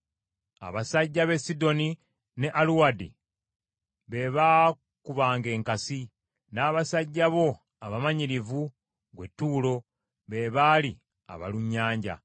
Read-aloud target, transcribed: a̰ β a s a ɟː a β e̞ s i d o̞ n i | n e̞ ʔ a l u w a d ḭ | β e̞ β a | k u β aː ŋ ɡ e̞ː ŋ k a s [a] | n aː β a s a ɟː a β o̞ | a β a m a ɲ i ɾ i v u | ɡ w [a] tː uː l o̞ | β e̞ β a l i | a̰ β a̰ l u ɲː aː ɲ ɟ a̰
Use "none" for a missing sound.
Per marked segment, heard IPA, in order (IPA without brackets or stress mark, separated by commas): i, e